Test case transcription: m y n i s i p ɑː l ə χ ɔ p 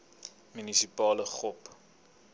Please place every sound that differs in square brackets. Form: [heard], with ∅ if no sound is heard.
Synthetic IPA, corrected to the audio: m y n i s i p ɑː l ə χ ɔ p